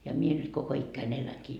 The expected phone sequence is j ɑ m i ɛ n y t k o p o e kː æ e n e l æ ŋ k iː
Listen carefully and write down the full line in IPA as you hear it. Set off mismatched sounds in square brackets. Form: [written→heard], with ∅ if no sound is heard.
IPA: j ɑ m i [ɛ→e] n y t k o [p→k] o [e→i] kː æ [e→i] n e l æ ŋ k iː